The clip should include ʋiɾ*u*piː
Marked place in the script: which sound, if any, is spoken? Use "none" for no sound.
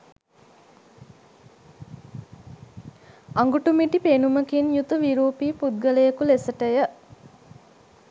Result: uː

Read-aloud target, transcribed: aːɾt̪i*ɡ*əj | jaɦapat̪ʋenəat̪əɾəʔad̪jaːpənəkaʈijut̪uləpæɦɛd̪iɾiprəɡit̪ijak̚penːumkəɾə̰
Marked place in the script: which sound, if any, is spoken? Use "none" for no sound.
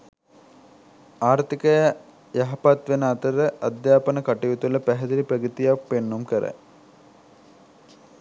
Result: k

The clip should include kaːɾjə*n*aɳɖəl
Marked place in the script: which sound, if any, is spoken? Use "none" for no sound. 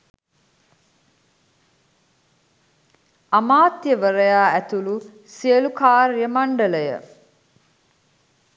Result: m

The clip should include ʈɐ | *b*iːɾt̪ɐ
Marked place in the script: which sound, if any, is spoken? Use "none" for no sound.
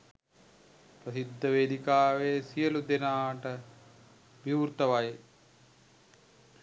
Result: b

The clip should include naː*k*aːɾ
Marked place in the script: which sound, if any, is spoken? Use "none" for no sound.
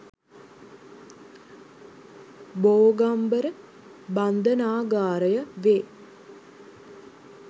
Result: ɡ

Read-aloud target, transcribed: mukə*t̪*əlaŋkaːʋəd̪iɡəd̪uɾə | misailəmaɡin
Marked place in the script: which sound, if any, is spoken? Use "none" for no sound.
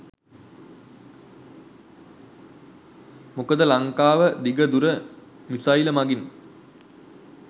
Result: d̪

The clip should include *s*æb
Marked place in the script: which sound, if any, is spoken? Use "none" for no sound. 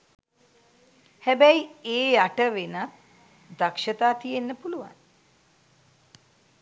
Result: h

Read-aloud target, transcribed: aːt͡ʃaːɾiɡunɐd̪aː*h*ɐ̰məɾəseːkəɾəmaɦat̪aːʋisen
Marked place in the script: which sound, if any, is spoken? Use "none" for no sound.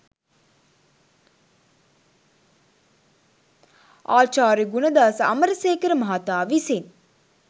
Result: s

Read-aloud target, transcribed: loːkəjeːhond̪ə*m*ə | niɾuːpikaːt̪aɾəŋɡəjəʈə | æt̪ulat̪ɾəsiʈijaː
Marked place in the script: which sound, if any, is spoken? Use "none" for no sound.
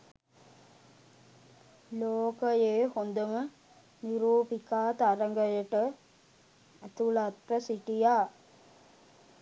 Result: m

